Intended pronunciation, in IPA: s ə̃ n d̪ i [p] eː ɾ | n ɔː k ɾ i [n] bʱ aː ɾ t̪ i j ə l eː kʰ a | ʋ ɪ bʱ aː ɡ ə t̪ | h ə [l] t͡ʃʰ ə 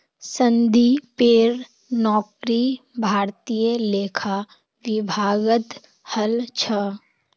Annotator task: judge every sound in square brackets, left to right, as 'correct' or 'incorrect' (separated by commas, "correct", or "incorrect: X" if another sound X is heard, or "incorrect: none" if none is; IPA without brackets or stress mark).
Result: correct, incorrect: none, correct